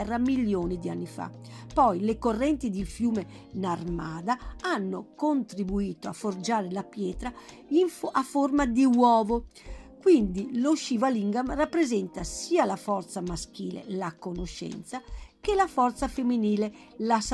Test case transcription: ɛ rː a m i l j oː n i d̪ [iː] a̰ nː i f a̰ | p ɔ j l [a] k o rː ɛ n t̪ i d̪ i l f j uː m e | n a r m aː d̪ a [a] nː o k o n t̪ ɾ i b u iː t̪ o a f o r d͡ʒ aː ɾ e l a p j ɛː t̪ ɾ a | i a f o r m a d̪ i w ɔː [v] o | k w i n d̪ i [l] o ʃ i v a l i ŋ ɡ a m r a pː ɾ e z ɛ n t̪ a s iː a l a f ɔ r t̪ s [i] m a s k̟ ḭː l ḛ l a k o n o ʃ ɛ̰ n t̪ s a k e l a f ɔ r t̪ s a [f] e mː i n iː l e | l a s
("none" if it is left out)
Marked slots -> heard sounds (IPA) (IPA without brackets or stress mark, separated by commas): i, e, a, v, l, a, f